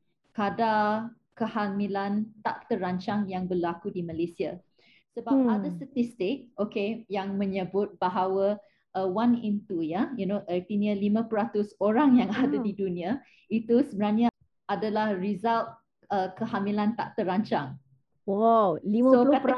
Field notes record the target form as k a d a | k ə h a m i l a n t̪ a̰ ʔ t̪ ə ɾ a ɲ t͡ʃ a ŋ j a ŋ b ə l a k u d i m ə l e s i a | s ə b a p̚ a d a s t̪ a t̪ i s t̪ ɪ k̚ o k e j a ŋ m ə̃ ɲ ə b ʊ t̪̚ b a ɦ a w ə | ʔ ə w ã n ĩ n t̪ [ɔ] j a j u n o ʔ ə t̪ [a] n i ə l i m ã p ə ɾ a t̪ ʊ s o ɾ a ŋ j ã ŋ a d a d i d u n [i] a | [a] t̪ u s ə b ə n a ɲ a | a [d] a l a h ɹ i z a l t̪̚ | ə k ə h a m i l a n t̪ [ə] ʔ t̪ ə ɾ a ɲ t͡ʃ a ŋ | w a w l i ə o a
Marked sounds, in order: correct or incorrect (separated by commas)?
incorrect, incorrect, correct, incorrect, correct, incorrect